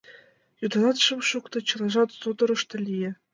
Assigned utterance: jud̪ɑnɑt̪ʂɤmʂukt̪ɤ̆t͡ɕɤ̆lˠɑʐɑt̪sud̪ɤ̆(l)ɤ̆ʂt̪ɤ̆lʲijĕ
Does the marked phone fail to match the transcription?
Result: yes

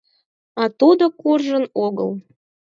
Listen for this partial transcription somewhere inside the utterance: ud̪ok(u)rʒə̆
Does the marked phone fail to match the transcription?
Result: no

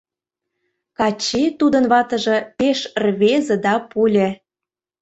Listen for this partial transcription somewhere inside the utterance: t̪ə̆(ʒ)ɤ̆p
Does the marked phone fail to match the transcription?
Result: no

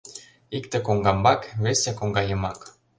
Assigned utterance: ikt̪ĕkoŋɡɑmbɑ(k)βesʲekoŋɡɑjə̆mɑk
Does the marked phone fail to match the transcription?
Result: no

